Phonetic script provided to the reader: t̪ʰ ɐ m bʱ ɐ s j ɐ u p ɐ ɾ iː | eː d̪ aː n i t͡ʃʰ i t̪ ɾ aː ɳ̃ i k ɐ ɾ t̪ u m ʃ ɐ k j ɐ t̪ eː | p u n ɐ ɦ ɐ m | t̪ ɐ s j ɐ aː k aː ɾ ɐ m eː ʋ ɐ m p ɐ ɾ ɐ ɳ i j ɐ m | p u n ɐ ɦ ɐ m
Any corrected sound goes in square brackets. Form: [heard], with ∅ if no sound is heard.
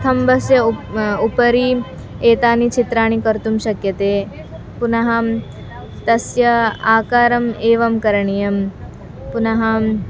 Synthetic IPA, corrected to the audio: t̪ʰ ɐ m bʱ ɐ s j ɐ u p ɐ ɾ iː | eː [t̪] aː n i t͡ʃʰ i t̪ ɾ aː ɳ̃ i k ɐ ɾ t̪ u m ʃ ɐ k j ɐ t̪ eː | p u n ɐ ɦ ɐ m | t̪ ɐ s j ɐ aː k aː ɾ ɐ m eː ʋ ɐ m [k] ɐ ɾ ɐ ɳ i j ɐ m | p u n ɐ ɦ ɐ m